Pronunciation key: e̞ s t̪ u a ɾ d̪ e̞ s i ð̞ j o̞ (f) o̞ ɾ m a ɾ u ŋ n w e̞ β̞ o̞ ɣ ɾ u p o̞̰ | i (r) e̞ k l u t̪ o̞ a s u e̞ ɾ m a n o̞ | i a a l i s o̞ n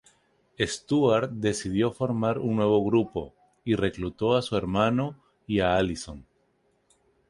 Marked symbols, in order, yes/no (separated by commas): yes, yes